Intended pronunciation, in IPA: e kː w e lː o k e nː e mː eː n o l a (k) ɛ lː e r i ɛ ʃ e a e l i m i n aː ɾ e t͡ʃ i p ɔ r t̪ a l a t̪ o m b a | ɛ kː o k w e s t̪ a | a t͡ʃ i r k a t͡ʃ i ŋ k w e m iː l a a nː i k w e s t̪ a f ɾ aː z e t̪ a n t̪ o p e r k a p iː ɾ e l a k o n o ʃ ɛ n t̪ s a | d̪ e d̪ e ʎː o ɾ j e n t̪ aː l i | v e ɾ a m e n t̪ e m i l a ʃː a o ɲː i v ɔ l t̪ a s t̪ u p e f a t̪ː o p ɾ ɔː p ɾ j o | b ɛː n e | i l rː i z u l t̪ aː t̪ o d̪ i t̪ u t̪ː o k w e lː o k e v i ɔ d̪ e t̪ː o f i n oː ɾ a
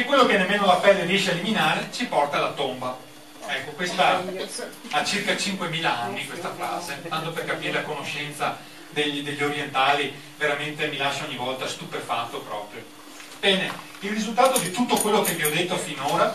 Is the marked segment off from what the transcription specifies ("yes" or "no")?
yes